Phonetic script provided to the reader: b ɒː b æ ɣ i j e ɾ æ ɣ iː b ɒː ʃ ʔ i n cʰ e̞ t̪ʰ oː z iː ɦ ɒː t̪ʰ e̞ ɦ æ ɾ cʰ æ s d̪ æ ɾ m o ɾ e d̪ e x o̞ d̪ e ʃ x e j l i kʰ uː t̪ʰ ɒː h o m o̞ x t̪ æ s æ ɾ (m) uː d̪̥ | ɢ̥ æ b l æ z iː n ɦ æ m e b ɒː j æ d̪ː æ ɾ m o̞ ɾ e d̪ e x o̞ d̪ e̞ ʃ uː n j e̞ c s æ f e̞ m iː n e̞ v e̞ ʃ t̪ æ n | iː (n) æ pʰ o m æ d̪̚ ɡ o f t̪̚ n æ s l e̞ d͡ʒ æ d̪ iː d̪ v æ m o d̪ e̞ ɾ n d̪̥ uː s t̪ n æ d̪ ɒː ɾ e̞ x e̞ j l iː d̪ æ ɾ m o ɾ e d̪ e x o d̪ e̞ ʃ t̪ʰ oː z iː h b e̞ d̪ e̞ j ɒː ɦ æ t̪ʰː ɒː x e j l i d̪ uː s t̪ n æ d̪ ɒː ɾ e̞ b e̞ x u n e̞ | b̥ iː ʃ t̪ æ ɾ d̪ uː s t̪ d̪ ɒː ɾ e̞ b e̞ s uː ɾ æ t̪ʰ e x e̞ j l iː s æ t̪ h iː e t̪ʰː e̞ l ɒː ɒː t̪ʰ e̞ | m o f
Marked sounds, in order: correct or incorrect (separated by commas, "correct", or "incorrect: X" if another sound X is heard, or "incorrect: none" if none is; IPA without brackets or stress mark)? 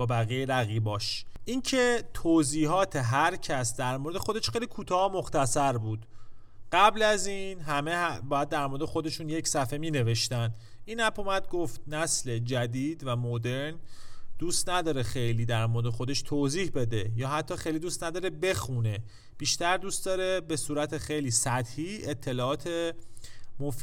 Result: incorrect: b, correct